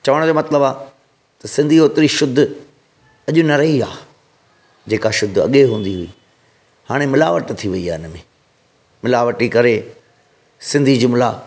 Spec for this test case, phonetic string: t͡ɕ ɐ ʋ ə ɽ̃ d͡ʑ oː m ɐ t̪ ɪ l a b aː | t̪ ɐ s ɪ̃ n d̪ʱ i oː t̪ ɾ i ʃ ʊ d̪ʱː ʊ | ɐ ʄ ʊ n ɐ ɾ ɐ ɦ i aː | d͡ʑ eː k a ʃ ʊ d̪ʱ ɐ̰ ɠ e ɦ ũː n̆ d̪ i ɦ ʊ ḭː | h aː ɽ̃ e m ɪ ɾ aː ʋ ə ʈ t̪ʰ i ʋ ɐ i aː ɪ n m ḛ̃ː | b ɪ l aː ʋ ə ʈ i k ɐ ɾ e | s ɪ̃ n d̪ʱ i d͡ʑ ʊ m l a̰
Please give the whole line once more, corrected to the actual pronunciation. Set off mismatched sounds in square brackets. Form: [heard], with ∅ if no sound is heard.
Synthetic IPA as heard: t͡ɕ ɐ ʋ ə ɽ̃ d͡ʑ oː m ɐ t̪ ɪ l [ə] b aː | t̪ ɐ s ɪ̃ n d̪ʱ i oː t̪ ɾ i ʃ ʊ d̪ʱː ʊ | ɐ ʄ ʊ n ɐ ɾ ɐ ɦ i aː | d͡ʑ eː k a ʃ ʊ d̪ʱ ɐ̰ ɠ e ɦ ũː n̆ d̪ i ɦ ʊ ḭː | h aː ɽ̃ e m ɪ [l] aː ʋ ə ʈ t̪ʰ i ʋ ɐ i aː ɪ n m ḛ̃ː | [m] ɪ l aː ʋ ə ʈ i k ɐ ɾ e | s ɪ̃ n d̪ʱ i d͡ʑ ʊ m l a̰